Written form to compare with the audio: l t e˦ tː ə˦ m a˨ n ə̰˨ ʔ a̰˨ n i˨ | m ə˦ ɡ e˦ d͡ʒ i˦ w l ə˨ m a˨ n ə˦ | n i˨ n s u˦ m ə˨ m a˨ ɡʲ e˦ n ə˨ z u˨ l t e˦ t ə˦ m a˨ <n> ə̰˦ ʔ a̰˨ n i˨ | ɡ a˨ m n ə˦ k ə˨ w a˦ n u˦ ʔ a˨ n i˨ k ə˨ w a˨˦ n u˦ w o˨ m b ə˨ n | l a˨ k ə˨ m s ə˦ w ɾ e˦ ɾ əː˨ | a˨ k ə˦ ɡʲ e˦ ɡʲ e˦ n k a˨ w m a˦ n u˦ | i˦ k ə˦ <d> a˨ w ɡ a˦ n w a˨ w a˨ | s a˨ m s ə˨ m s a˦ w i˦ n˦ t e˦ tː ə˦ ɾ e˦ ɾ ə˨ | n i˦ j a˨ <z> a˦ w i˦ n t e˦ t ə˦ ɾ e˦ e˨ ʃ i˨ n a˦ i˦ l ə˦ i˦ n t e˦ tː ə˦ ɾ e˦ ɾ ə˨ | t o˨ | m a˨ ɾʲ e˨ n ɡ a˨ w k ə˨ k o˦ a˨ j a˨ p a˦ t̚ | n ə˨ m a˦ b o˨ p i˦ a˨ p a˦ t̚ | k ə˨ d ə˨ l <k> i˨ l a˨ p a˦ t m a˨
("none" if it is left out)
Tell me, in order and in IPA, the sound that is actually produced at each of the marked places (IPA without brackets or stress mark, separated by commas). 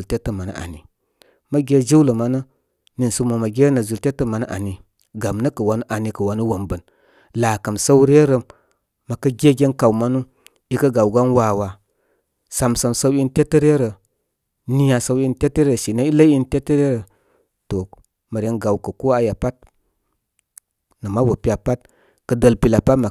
n, ɡ, s, p